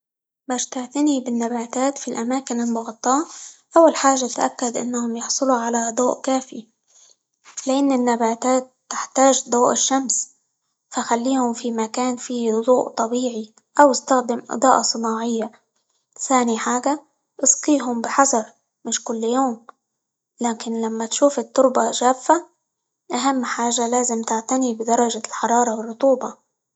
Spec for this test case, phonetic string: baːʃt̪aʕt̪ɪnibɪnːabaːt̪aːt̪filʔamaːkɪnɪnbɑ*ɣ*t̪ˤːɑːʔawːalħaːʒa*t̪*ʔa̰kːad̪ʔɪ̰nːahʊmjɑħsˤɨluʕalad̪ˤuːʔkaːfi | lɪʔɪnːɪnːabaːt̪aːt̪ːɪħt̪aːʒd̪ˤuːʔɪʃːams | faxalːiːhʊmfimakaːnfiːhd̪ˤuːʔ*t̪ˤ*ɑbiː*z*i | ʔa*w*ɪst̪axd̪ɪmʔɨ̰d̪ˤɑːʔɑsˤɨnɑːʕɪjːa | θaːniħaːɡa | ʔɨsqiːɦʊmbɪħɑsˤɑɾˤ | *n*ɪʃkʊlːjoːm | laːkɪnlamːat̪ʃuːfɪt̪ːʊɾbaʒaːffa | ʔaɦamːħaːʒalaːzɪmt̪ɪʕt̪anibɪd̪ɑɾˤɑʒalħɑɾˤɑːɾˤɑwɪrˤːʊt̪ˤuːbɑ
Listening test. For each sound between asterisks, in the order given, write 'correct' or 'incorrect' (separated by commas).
correct, correct, correct, incorrect, correct, incorrect